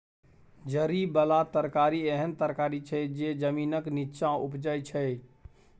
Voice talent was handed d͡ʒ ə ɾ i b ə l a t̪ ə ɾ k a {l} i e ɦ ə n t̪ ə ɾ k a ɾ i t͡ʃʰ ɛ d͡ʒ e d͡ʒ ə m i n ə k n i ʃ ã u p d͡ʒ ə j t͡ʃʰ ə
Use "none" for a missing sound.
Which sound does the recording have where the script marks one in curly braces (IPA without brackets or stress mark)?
ɾ